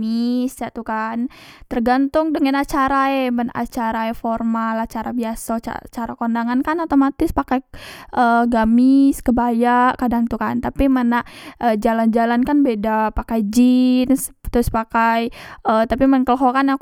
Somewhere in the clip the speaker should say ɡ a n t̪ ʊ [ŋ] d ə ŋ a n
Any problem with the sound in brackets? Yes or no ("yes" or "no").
no